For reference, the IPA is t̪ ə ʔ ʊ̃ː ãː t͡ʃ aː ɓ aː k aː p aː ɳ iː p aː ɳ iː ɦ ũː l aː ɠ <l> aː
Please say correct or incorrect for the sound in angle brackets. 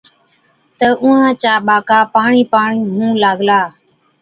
correct